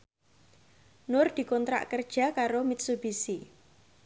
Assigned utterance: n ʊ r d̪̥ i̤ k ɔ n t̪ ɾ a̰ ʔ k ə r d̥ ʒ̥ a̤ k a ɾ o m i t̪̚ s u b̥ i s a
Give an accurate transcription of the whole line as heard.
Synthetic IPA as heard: n ʊ r d̪̥ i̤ k ɔ n t̪ ɾ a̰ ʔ k ə r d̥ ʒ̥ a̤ k a ɾ o m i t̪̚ s u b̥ i s i